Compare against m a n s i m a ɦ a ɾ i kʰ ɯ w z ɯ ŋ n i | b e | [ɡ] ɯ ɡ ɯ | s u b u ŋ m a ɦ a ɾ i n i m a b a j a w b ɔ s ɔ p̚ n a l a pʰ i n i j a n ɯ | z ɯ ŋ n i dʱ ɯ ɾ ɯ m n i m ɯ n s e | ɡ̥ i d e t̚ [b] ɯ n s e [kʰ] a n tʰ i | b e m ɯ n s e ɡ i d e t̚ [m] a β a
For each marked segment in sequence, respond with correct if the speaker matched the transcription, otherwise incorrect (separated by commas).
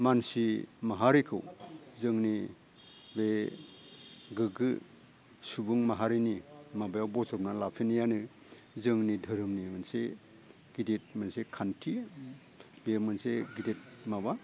correct, incorrect, correct, correct